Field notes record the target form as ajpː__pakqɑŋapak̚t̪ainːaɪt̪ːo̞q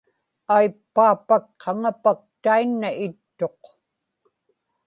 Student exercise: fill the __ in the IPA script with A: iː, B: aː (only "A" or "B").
B